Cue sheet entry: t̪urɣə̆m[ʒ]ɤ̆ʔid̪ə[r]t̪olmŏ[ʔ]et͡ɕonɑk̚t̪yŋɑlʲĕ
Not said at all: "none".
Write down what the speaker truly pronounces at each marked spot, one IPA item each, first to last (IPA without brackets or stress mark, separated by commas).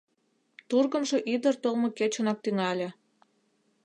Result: ʒ, r, k